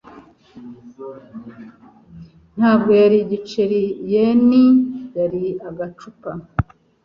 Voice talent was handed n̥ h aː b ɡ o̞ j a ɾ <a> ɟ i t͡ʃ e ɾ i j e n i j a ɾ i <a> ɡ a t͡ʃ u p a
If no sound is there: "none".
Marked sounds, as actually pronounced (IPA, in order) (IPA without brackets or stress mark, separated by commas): i, a